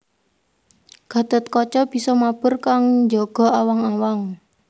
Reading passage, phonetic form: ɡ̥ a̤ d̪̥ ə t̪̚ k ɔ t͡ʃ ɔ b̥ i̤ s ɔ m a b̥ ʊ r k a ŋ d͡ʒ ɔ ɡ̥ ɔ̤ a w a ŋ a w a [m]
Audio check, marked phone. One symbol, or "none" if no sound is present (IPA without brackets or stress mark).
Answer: ŋ